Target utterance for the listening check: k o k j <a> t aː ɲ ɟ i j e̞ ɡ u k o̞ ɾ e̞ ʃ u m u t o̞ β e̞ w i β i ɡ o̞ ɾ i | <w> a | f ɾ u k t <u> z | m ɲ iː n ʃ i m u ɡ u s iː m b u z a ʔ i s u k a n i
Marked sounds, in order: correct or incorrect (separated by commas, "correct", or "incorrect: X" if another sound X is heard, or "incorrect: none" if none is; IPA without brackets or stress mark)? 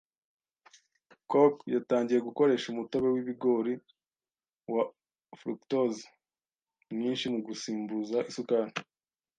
correct, correct, incorrect: o